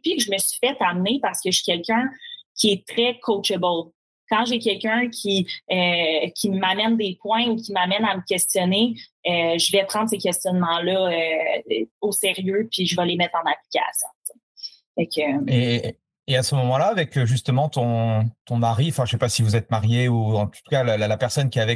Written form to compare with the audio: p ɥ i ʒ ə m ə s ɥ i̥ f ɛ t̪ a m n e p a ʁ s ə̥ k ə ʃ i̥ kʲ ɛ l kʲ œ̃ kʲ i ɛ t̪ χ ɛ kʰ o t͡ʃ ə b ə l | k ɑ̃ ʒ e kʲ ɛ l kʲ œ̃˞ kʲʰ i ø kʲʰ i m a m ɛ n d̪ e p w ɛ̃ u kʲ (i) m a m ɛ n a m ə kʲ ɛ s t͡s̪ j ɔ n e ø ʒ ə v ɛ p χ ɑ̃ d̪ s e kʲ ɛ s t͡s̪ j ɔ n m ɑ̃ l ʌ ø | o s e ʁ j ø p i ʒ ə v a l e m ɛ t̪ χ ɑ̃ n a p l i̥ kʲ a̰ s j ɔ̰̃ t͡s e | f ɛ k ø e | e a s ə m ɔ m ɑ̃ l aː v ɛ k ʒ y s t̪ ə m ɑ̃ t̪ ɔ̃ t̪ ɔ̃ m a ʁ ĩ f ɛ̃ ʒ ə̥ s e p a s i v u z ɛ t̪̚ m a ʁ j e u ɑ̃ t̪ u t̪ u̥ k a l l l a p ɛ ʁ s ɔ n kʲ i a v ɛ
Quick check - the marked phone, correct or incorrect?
correct